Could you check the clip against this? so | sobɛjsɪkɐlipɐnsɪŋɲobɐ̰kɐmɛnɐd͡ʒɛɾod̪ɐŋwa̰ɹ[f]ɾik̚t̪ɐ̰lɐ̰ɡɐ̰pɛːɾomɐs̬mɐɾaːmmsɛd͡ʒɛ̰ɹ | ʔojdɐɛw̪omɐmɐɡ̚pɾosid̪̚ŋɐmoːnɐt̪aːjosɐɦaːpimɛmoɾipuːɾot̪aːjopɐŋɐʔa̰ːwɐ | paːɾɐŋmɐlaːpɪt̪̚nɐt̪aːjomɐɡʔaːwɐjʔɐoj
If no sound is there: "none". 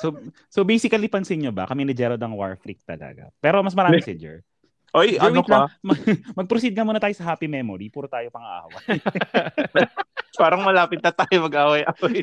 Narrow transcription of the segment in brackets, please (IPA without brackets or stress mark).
f